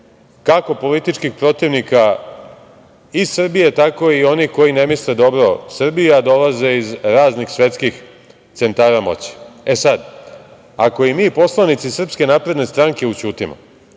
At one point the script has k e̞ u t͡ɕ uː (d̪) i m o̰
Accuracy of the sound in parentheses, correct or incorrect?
incorrect: t̪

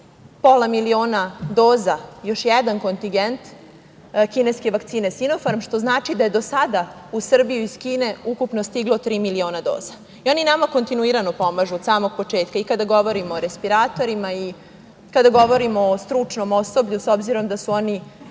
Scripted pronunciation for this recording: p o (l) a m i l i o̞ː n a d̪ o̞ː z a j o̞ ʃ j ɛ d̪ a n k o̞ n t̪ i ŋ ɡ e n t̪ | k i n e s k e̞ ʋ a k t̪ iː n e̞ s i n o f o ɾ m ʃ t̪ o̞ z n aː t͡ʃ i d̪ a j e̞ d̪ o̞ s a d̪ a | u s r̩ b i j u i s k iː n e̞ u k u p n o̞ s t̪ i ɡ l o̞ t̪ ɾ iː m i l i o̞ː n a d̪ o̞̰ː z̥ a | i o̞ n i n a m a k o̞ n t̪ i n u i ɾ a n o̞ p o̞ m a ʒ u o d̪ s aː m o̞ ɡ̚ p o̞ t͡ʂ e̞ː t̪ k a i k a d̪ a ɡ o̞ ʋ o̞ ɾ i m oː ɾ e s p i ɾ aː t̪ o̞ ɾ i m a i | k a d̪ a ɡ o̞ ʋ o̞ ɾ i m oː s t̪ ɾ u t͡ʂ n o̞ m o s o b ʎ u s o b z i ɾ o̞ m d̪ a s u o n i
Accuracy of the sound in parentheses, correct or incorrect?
correct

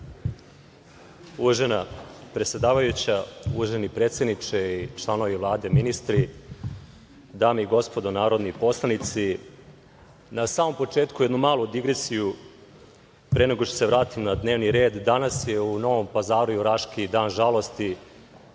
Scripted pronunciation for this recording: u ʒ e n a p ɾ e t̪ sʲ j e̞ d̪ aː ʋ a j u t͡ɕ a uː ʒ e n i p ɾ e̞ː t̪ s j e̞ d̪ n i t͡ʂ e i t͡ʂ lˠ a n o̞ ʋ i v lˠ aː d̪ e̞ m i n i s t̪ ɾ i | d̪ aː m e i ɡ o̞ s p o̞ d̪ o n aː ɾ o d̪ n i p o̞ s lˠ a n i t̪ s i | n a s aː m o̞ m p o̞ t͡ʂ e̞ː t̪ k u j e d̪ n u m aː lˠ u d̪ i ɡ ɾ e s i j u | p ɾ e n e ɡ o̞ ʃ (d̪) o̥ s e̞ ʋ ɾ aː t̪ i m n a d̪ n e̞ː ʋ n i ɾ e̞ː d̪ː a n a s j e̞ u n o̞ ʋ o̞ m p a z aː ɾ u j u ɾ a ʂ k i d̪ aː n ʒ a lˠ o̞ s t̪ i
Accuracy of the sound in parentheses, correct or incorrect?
incorrect: t̪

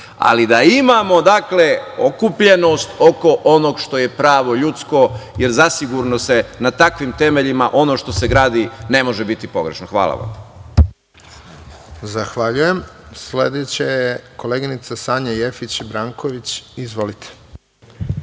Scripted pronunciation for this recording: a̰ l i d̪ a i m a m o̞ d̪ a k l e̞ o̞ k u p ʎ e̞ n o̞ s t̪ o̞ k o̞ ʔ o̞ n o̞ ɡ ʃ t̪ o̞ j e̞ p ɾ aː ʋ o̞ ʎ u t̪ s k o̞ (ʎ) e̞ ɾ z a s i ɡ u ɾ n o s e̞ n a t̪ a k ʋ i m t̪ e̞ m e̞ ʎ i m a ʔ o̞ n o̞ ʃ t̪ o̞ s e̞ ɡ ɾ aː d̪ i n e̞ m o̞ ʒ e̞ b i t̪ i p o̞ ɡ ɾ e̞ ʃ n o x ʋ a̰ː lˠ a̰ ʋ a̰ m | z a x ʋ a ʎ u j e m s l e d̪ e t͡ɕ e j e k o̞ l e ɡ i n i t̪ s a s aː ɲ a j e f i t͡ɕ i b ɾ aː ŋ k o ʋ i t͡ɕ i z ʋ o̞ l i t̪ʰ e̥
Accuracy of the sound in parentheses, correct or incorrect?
incorrect: j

